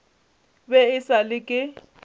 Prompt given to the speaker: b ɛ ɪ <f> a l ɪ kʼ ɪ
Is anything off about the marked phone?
yes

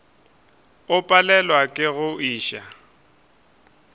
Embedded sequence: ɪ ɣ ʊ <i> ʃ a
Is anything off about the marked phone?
yes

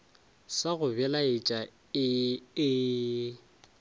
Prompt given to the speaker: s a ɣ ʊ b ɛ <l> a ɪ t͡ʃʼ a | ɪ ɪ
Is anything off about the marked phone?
no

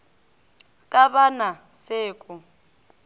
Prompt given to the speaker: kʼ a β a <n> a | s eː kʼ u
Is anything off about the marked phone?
no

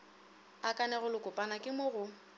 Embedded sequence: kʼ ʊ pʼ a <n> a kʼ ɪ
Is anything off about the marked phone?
no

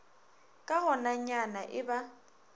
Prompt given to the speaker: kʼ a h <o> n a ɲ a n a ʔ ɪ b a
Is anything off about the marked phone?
yes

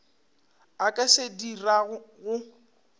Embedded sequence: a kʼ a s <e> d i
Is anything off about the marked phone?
no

